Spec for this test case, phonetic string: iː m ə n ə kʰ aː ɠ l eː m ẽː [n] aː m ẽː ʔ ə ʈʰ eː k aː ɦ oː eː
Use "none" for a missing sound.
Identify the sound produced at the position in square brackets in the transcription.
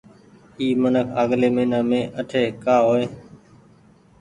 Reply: n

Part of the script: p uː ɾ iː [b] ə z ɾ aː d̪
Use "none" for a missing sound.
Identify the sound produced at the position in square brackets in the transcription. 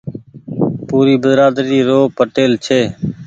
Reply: b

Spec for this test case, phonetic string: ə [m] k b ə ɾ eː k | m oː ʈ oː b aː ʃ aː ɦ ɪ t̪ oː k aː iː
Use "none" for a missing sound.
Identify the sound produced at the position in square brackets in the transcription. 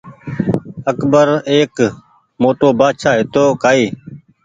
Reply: none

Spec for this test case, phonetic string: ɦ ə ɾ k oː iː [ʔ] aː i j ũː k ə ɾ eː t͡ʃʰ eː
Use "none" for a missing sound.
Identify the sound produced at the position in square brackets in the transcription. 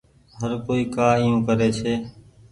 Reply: k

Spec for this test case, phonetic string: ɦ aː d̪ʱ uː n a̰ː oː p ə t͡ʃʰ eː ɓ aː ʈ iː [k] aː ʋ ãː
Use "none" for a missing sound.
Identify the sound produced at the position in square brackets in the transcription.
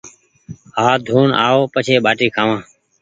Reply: kʰ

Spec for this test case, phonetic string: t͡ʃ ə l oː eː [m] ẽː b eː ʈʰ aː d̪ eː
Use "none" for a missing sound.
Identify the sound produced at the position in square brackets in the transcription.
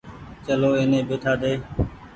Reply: n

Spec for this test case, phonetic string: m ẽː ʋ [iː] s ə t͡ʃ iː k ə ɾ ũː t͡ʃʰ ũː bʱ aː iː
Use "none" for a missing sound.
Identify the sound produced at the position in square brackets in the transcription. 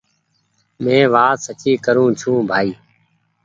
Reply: aː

